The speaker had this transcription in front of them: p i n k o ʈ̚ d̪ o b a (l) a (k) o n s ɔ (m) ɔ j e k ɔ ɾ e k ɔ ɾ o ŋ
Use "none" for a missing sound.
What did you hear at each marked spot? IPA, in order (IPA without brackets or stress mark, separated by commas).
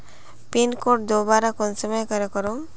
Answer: ɾ, k, m